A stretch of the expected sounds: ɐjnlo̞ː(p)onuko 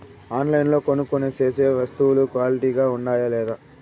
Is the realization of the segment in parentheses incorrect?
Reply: yes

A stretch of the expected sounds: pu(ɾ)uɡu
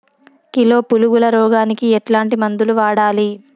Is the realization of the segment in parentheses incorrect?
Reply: yes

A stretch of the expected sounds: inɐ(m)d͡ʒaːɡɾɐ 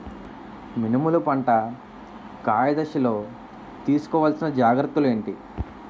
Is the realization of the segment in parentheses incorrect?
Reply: yes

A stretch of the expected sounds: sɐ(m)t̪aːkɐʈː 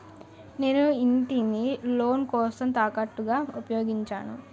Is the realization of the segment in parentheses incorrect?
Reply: no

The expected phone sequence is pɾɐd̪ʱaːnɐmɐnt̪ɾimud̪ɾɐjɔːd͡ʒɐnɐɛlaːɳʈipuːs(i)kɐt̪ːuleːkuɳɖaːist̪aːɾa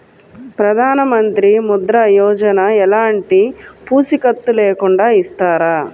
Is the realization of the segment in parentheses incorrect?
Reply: no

